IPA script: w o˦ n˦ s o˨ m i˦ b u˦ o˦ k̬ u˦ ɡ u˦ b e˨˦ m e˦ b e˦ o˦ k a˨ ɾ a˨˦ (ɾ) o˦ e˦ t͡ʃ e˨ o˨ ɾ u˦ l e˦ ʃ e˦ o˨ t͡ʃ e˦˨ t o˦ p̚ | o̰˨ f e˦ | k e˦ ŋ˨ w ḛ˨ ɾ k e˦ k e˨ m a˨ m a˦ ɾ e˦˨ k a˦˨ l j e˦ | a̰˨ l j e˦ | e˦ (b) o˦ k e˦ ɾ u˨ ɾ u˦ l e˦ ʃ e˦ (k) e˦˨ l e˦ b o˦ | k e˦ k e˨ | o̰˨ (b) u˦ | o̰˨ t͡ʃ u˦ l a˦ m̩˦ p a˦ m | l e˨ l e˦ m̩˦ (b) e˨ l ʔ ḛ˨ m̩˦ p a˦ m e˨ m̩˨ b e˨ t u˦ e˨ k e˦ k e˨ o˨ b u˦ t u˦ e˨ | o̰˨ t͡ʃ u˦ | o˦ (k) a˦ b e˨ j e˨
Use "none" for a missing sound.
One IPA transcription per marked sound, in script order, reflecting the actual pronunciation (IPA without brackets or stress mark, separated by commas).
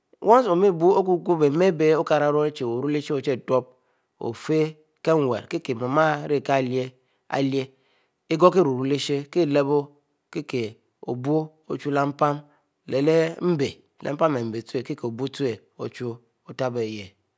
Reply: ɾ, ɡ, k, b, b, t